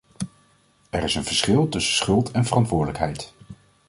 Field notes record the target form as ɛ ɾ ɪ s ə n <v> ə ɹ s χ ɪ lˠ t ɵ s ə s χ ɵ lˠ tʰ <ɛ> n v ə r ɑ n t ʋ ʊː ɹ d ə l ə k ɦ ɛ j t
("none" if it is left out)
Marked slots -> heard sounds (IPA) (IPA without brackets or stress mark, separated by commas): v, ɛ